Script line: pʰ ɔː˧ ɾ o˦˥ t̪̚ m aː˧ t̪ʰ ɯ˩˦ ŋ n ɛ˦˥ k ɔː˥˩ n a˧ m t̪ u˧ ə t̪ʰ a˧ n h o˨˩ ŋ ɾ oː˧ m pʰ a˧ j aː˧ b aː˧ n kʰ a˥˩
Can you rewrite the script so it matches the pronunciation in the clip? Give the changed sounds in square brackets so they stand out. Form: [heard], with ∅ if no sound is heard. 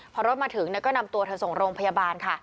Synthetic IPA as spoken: pʰ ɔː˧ ɾ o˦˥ t̪̚ m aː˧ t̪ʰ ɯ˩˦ ŋ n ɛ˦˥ k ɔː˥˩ n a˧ m t̪ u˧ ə t̪ʰ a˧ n [s] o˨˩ ŋ ɾ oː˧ [ŋ] pʰ a˧ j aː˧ b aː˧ n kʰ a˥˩